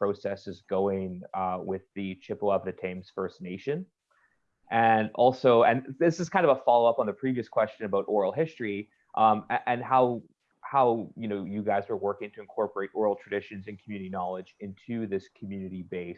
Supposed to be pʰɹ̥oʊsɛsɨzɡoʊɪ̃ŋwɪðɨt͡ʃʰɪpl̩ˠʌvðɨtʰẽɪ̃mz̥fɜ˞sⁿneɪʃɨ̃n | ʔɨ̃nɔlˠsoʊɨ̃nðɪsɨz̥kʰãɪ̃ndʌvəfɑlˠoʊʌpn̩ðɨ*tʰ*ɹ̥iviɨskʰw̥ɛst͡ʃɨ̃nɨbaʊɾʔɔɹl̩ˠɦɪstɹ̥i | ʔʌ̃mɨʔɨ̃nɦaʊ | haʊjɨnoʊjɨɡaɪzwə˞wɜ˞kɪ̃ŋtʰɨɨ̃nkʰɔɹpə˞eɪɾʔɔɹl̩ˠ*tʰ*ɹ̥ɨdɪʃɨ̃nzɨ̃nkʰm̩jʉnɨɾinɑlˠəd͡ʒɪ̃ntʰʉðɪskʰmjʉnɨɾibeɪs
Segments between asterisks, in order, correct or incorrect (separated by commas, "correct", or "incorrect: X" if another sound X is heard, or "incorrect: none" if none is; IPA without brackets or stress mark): incorrect: pʰ, correct